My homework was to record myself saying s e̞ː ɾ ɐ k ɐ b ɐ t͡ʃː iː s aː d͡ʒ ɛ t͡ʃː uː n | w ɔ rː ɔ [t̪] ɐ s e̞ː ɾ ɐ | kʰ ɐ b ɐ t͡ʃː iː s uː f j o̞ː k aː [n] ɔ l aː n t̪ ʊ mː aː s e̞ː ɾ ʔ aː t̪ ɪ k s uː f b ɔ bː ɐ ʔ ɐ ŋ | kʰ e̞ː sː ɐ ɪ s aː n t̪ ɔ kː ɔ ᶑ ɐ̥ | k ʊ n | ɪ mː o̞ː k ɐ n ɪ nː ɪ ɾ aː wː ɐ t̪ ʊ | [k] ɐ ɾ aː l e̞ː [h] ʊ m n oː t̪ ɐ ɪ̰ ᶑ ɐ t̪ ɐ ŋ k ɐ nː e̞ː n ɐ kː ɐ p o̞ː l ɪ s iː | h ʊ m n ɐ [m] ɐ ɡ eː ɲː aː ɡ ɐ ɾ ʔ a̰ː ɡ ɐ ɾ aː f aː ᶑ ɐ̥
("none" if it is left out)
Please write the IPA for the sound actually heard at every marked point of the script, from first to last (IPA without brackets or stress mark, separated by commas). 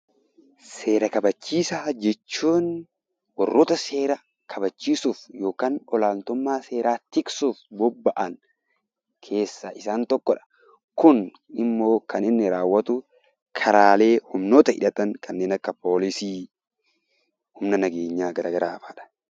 t̪, n, kʰ, h, n